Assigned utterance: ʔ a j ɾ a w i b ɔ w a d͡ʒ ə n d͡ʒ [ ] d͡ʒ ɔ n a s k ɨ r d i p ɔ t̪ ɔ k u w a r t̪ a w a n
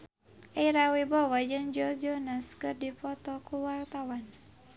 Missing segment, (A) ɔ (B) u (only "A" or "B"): A